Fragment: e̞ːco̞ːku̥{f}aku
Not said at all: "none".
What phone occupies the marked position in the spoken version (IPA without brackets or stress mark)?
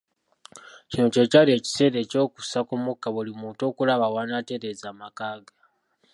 s